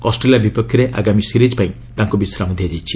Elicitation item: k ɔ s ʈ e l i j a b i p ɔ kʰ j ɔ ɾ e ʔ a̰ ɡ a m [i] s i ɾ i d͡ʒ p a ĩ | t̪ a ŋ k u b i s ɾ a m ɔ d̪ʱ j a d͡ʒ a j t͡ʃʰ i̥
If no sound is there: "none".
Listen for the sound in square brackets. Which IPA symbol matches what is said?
i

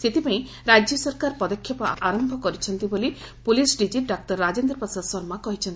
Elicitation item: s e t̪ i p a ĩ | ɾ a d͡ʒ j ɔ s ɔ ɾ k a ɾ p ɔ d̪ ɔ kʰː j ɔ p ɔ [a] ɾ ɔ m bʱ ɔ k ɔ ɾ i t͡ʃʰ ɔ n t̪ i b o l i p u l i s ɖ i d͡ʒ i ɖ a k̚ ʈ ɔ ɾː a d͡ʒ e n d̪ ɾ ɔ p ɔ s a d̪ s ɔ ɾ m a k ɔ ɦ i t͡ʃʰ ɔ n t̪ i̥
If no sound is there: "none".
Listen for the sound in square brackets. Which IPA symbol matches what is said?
a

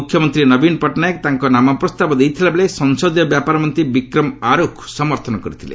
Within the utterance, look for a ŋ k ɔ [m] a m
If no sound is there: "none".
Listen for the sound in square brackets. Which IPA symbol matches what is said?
n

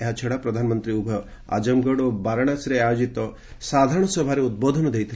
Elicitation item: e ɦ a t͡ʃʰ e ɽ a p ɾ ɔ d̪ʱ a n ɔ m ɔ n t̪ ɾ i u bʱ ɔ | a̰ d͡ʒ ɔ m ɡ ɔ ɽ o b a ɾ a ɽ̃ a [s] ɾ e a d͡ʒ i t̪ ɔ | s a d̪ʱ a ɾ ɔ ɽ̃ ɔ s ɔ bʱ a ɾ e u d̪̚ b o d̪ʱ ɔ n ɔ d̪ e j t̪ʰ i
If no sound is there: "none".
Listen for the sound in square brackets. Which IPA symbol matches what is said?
s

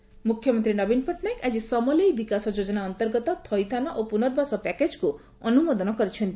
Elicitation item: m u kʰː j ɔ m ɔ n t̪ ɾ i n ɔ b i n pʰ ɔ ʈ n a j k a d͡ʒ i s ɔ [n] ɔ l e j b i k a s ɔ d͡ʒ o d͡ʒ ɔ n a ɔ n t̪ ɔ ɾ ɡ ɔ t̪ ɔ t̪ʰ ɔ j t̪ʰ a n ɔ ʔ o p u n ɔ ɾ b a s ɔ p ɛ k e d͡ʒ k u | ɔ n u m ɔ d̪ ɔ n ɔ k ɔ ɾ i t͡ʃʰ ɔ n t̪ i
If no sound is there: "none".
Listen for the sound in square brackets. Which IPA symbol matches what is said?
m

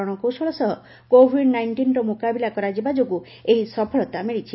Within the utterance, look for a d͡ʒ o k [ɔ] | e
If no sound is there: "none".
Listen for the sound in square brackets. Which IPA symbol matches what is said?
u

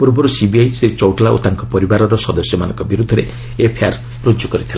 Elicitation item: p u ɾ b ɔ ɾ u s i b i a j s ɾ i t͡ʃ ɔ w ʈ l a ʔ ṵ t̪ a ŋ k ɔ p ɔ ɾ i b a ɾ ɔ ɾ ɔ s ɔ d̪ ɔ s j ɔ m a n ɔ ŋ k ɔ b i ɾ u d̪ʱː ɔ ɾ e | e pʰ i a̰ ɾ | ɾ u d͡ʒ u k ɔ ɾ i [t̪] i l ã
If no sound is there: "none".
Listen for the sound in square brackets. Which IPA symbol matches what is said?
t̪ʰ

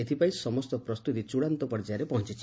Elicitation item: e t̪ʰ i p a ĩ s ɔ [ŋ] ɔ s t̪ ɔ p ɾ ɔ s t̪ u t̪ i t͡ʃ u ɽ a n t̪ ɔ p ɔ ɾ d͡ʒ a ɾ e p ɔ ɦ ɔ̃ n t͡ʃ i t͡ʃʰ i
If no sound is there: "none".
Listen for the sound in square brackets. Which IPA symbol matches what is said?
m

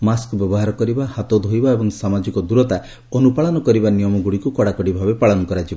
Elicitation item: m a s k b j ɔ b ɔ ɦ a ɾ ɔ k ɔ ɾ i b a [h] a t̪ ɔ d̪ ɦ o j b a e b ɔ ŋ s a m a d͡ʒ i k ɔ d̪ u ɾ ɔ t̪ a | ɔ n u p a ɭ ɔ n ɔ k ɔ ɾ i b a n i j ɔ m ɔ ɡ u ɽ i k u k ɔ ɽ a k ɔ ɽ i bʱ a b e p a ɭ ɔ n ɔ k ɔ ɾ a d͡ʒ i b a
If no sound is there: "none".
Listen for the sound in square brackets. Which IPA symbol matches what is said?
h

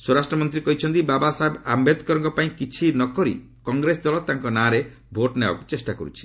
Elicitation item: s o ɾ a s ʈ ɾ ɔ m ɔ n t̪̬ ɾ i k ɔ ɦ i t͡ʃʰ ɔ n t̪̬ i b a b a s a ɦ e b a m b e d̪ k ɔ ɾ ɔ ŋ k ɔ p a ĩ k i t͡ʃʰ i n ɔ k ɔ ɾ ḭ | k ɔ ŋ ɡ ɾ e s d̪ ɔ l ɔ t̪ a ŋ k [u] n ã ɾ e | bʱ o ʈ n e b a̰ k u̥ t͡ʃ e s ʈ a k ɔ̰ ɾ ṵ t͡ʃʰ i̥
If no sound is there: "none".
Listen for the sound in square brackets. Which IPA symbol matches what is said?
ɔ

